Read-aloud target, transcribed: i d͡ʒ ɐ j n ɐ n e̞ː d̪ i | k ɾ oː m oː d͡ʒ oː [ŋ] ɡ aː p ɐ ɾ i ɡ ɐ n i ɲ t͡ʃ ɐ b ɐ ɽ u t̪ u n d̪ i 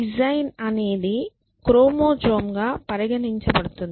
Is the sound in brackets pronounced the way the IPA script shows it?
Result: no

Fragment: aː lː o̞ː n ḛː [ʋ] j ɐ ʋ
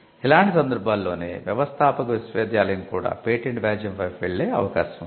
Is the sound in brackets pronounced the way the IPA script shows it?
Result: yes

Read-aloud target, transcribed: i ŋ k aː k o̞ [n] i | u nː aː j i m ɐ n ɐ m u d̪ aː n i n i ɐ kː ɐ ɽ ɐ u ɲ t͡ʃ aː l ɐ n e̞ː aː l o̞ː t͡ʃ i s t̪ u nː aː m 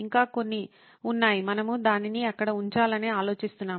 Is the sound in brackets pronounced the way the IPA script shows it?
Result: no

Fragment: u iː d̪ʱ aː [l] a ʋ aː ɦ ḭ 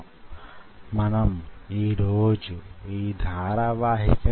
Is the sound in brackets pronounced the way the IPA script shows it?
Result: no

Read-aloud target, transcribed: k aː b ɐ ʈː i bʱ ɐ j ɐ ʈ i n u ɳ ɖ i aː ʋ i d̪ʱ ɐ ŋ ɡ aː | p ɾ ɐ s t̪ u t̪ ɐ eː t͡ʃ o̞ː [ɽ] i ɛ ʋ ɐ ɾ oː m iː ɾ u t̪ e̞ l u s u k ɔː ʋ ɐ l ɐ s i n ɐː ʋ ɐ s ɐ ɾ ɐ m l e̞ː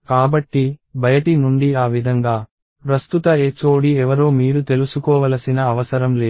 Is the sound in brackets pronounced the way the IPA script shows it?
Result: yes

